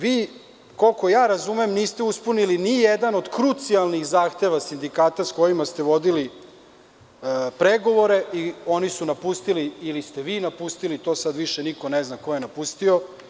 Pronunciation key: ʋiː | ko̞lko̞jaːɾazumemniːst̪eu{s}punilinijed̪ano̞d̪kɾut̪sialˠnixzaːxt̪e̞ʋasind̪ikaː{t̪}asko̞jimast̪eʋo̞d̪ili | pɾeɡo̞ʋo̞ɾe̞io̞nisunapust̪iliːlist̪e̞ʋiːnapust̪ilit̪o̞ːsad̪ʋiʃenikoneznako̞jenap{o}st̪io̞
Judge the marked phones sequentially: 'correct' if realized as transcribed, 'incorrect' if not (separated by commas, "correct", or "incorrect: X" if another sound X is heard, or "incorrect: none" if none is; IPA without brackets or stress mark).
correct, correct, incorrect: u